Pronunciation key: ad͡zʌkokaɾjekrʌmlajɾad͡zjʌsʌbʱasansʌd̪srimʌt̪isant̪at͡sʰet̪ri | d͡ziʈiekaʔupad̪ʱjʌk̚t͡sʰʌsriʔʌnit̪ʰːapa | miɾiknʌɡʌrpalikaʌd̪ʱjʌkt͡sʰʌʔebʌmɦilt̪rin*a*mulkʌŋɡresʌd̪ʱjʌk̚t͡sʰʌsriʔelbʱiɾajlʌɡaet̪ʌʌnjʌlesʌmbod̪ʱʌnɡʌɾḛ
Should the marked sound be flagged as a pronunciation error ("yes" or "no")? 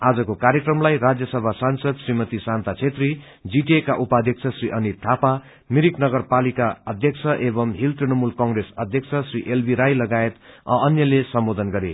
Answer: yes